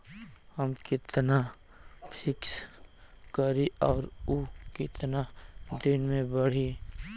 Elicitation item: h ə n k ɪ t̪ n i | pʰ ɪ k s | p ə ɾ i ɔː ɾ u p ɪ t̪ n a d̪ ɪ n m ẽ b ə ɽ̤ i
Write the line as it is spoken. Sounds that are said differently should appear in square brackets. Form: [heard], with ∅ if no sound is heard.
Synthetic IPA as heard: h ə [m] k ɪ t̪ n [a] | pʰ ɪ k s | [k] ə ɾ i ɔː ɾ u [k] ɪ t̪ n a d̪ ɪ n m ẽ b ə ɽ̤ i